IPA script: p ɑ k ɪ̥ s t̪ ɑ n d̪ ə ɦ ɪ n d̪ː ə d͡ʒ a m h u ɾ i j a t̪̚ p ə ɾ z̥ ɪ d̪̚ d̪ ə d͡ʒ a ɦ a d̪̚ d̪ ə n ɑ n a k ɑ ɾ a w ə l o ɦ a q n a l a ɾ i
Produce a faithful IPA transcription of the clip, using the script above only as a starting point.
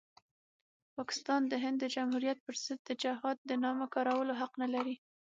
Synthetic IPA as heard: p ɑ k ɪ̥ s t̪ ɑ n d̪ ə ɦ ɪ n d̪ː ə d͡ʒ a m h u ɾ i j a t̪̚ p ə ɾ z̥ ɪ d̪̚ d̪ ə d͡ʒ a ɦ ɑ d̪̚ d̪ ə n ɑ m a k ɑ ɾ a w ə l o ɦ a q n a l a ɾ i